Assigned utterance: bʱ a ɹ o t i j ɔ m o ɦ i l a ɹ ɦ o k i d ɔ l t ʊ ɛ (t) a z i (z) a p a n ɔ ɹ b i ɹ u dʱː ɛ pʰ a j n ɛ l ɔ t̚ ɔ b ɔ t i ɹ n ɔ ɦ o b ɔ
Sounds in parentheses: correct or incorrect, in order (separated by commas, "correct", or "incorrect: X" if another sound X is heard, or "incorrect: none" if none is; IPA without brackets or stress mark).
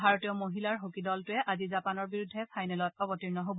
incorrect: ʔ, correct